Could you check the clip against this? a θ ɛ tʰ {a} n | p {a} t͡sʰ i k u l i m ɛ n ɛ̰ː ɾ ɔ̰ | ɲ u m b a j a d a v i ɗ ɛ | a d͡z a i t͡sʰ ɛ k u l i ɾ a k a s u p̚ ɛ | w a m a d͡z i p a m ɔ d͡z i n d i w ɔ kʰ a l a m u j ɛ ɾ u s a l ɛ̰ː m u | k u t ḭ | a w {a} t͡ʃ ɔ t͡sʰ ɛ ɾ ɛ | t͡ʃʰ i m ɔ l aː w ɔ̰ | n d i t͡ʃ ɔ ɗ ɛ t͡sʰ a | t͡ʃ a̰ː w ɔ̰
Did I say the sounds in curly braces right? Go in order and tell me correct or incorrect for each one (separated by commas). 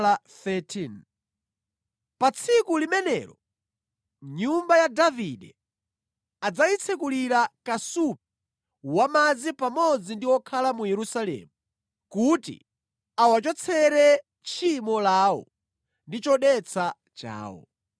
incorrect, correct, correct